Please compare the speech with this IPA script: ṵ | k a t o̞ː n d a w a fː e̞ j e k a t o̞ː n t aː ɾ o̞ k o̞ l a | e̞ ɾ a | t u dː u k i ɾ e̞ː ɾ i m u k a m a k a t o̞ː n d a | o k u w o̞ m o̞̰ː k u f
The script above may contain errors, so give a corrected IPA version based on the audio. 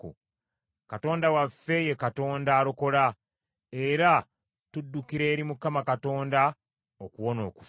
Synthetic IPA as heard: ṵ | k a t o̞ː n d a w a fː e̞ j e k a t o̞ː n d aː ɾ o̞ k o̞ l a | e̞ ɾ a | t u dː u k i ɾ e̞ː ɾ i m u k a m a k a t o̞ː n d a | o k u w o̞ n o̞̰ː k u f